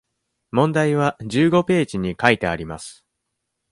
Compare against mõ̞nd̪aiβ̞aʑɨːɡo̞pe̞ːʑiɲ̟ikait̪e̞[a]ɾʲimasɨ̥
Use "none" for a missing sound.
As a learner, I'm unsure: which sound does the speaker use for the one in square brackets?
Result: a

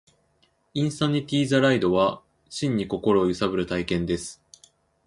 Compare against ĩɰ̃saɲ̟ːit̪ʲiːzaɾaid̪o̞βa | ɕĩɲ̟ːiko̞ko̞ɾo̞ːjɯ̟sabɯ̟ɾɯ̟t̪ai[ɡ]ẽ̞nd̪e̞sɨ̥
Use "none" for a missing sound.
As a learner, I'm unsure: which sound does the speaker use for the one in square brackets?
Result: k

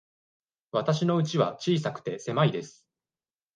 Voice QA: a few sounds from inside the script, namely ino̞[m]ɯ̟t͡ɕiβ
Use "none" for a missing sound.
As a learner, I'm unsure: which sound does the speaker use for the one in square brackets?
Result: none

